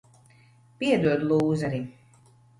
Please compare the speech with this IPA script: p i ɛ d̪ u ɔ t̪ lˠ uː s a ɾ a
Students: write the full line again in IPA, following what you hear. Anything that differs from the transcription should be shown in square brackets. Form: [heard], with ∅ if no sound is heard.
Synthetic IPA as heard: p i ɛ d̪ u ɔ [d̪] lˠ uː [z] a ɾ [i]